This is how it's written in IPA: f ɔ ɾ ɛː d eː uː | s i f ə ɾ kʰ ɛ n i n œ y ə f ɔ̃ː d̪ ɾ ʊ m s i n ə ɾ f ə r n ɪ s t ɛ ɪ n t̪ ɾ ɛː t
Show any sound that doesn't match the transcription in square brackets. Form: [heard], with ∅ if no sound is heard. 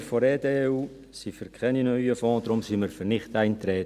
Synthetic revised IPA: f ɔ ɾ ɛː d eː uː | s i f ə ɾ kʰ ɛ n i n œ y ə f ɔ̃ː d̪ ɾ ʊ m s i [m] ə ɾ f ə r n ɪ [χ] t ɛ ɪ n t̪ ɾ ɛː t